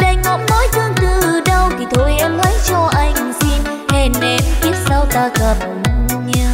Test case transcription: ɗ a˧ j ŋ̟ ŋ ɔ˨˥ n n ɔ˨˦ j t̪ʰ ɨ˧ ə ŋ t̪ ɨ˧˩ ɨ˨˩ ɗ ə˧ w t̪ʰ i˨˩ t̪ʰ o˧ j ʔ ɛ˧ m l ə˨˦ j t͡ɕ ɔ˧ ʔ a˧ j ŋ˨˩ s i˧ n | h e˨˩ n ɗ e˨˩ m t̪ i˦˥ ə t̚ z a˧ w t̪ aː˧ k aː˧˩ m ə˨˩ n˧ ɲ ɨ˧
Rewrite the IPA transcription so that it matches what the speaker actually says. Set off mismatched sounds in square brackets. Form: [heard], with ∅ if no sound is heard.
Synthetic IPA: ɗ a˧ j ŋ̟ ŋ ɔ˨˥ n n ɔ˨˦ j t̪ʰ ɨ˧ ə ŋ t̪ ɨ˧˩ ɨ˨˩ ɗ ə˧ w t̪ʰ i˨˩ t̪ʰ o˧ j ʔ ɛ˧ m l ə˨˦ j t͡ɕ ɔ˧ ʔ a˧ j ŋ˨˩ s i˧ n | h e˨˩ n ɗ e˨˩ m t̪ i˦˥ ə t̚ [s] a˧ w t̪ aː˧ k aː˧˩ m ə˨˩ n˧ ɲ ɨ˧